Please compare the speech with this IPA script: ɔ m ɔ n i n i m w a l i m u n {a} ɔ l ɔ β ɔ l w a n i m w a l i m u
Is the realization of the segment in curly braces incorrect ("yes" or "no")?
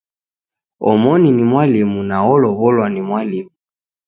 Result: no